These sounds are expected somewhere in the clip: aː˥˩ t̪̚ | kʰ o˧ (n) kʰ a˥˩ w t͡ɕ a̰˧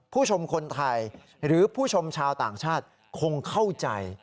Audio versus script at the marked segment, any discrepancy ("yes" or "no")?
yes